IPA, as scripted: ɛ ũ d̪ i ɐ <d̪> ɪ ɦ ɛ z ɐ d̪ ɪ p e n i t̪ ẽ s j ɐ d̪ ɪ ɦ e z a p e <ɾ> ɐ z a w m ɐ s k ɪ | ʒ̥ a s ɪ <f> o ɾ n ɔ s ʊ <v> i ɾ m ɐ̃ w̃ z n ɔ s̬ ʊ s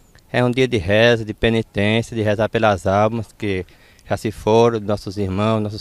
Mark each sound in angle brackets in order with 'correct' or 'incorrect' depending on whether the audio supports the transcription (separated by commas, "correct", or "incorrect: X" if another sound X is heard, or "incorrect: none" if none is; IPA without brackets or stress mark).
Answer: correct, incorrect: l, correct, incorrect: z